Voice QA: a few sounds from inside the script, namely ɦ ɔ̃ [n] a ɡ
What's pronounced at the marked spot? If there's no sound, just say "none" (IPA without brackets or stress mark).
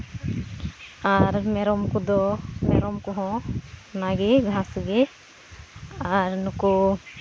n